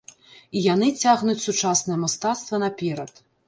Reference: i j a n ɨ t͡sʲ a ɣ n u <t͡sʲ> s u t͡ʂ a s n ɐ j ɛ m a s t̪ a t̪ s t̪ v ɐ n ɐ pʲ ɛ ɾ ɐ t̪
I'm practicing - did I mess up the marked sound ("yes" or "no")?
no